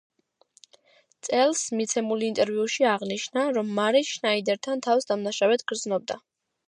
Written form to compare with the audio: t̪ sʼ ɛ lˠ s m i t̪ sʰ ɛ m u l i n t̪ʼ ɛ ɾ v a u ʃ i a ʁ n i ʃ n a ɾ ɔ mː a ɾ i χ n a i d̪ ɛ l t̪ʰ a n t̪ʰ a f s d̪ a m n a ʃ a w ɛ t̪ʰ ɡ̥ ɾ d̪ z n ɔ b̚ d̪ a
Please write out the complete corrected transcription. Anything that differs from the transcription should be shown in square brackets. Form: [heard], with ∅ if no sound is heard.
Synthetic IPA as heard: t̪ sʼ ɛ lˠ s m i t̪ sʰ ɛ m u l i n t̪ʼ ɛ ɾ v [i] u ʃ i a ʁ n i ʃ n a ɾ ɔ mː a ɾ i [ʃ] n a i d̪ ɛ [ɾ] t̪ʰ a n t̪ʰ a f s d̪ a m n a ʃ a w ɛ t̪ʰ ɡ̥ ɾ d̪ z n ɔ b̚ d̪ a